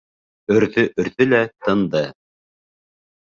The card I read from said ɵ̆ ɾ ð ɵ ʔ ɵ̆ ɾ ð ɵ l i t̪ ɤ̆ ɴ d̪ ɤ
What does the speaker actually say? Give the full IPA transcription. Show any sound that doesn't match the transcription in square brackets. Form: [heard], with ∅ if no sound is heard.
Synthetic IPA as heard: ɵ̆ ɾ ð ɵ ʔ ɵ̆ ɾ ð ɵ l [æ] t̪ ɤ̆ [n] d̪ ɤ